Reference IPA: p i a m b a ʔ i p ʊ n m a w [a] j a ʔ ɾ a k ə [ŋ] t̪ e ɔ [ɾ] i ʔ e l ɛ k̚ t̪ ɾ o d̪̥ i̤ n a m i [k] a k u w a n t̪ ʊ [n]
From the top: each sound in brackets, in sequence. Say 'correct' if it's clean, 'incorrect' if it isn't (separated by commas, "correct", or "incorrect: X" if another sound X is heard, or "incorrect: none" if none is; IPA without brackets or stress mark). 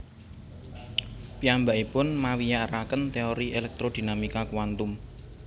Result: incorrect: i, incorrect: n, correct, correct, incorrect: m